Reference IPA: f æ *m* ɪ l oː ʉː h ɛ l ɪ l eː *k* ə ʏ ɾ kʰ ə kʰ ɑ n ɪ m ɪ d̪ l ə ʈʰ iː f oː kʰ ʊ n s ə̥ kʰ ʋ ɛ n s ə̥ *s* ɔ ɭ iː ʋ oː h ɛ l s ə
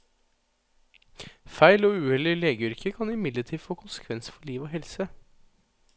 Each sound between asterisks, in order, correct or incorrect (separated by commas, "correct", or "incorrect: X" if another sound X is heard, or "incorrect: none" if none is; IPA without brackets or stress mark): incorrect: none, incorrect: ɡ, incorrect: f